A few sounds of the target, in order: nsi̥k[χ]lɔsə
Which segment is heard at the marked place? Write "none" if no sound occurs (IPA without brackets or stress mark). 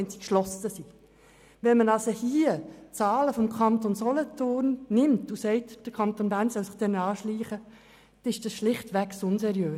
ʃ